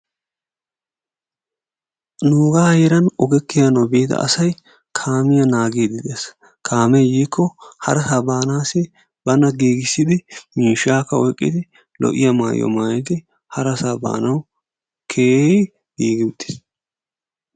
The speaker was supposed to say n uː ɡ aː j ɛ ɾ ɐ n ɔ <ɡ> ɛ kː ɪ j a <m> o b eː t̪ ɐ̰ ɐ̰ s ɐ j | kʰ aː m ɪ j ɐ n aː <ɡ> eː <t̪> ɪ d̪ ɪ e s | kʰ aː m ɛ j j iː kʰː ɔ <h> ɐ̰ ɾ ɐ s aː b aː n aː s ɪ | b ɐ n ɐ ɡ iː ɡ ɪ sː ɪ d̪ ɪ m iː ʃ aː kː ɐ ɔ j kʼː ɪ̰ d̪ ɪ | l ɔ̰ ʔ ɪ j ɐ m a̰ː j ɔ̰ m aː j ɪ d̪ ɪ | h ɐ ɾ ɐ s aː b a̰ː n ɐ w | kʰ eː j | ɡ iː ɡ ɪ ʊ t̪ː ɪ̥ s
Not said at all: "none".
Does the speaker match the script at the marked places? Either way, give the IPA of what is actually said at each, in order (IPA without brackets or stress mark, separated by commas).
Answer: ɡ, n, ɡ, d̪, h